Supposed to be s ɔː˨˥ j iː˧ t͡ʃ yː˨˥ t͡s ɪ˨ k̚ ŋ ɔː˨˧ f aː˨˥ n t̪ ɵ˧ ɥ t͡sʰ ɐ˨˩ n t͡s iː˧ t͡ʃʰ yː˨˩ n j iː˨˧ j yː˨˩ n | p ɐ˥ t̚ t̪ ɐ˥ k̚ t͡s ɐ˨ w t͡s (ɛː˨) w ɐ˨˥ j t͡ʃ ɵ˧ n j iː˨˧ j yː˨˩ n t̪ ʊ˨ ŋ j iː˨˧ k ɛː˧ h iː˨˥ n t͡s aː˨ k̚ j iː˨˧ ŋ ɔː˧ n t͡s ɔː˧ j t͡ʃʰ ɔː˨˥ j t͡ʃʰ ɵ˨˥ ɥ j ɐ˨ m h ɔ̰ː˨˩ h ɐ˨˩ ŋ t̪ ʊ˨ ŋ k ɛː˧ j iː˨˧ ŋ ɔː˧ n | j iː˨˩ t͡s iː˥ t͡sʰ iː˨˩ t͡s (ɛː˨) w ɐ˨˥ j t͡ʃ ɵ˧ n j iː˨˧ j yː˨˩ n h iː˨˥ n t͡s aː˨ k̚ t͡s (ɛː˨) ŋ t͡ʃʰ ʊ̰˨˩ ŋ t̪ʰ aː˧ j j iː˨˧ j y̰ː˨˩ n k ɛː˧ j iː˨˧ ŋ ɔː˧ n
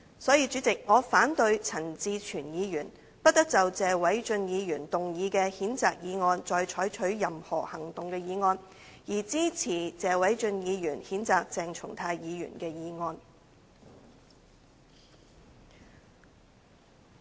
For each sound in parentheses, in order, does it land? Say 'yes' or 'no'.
yes, yes, yes

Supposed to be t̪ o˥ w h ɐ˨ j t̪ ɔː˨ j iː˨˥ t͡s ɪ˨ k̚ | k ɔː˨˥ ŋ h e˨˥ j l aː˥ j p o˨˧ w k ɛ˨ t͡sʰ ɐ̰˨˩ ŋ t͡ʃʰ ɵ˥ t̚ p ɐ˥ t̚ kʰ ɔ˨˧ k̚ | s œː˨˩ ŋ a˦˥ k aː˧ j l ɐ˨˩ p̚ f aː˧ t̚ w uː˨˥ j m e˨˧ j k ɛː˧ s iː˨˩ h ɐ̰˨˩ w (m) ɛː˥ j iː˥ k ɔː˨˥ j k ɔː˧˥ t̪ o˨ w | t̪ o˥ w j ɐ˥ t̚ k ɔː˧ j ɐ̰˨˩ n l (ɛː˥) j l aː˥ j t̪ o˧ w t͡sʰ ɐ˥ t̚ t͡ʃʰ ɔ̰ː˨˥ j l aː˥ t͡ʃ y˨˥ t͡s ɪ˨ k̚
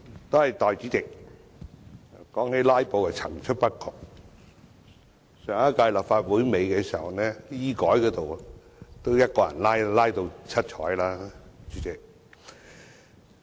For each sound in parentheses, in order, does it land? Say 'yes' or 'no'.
no, no

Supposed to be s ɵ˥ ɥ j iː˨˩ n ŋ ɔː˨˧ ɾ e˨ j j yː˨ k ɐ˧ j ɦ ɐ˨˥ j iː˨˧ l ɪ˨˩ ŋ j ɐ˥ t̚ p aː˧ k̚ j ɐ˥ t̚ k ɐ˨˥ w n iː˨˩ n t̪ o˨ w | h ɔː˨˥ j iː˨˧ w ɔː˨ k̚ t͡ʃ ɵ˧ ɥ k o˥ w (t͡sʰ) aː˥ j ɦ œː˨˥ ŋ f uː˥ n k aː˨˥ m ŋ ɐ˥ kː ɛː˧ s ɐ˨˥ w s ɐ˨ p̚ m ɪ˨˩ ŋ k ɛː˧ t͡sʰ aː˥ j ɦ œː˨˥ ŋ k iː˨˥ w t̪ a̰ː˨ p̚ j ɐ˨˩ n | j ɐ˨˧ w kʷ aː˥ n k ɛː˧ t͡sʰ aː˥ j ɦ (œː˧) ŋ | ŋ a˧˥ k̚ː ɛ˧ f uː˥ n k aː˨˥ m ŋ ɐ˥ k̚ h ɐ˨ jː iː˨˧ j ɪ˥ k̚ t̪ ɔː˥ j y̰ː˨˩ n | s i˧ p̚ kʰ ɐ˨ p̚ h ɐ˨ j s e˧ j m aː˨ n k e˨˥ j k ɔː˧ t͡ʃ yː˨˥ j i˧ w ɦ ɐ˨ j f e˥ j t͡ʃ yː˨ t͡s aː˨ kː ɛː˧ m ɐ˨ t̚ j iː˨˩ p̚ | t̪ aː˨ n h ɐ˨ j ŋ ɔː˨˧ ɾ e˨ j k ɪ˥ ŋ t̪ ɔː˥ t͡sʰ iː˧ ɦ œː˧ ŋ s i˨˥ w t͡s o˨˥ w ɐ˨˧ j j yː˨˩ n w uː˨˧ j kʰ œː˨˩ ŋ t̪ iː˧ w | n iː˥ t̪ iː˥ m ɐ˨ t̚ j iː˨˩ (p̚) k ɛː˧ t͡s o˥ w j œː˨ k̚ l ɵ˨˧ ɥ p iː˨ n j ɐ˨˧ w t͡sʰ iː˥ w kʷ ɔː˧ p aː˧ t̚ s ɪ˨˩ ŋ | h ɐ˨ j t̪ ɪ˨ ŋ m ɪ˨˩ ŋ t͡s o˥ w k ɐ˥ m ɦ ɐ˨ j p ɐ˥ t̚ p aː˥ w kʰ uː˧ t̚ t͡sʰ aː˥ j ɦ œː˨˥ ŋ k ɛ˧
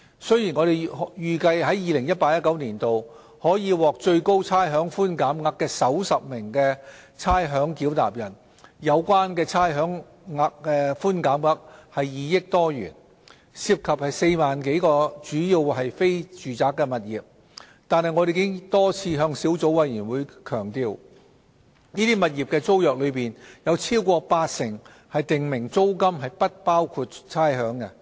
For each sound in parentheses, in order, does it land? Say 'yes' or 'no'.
yes, no, yes

